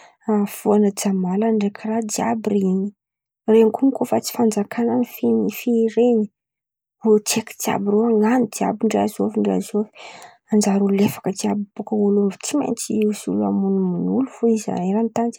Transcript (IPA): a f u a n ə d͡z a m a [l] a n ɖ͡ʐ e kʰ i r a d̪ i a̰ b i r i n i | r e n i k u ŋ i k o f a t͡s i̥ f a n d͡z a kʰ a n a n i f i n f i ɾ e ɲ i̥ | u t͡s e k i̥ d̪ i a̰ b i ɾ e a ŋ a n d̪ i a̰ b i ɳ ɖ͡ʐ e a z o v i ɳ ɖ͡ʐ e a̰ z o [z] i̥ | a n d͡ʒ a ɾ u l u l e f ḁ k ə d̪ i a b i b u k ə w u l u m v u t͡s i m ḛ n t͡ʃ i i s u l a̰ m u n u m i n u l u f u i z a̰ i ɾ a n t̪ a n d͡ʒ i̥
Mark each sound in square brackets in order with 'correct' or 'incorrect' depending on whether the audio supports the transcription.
correct, incorrect

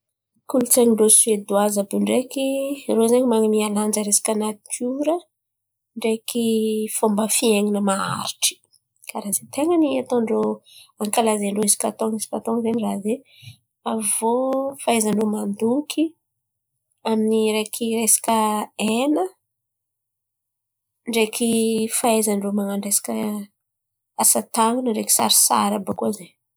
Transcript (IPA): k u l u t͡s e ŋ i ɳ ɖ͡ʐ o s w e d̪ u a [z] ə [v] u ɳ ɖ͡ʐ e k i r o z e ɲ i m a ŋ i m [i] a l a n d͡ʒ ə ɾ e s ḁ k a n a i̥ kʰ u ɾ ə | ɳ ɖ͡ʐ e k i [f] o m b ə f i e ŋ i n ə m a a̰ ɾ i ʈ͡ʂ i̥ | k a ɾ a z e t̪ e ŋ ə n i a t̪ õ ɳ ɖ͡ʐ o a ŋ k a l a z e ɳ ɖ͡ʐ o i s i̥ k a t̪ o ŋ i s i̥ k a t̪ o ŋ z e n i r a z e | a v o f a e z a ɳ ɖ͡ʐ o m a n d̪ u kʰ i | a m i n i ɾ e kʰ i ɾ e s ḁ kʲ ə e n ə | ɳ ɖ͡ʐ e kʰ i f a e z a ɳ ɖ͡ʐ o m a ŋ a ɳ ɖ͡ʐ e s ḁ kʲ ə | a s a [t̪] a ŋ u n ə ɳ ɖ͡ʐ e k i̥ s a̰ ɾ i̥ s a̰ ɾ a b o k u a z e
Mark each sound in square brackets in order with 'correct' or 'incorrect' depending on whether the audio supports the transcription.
correct, incorrect, correct, correct, correct

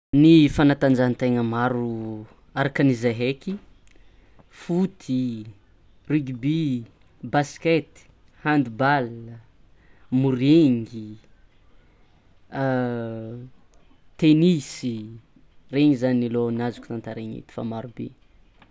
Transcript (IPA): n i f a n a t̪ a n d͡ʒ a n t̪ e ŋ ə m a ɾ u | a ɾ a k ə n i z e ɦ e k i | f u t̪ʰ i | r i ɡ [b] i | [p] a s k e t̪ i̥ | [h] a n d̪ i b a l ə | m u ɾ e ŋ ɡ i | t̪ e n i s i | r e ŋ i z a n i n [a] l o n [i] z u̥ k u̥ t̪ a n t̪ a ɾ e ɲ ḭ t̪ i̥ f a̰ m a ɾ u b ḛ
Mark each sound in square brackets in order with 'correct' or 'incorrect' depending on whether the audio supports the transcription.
correct, incorrect, correct, incorrect, incorrect

